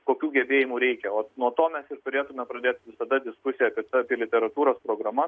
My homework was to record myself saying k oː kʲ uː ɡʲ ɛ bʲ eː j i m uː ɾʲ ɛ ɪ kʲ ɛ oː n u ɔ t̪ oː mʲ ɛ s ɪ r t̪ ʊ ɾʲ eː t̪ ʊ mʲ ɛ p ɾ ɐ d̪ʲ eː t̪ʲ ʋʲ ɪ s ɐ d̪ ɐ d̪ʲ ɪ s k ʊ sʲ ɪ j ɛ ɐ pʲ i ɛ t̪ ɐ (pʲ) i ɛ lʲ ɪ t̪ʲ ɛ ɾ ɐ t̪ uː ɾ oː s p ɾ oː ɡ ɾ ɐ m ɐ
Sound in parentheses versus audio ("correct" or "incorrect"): correct